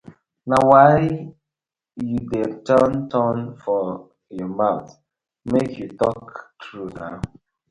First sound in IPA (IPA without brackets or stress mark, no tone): n